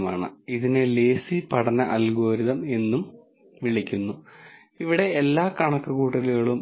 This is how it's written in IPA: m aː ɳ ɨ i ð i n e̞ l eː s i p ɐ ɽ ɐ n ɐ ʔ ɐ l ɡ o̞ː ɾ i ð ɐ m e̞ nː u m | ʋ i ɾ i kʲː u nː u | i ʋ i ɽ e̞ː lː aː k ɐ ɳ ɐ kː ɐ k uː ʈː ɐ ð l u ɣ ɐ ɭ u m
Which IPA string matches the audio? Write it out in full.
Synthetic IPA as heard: m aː ɳ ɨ i ð i n e̞ l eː s i p ɐ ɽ ɐ n ɐ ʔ ɐ l ɡ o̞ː ɾ i ð ɐ m e̞ nː u m | ʋ i ɭ i kʲː u nː u | i ʋ i ɽ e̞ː lː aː k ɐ ɳ ɐ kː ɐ k uː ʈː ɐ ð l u ɣ ɐ ɭ u m